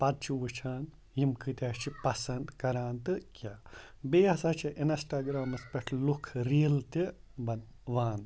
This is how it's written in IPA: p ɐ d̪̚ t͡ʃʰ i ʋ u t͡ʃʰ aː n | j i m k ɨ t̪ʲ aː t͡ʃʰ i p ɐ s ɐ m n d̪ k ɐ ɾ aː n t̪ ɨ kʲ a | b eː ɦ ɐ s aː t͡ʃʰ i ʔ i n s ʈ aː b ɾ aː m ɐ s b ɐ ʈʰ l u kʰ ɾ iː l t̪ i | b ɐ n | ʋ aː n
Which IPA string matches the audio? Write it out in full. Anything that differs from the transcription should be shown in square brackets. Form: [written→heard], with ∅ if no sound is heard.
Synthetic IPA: p ɐ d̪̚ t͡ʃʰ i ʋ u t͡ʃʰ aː n | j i m k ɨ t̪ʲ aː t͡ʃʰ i p ɐ s ɐ [m→∅] n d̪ k ɐ ɾ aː n t̪ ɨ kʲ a | b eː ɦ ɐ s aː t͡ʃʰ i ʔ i n s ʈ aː [b→ɡ] ɾ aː m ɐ s [b→p] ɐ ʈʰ l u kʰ ɾ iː l t̪ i | b ɐ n | ʋ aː n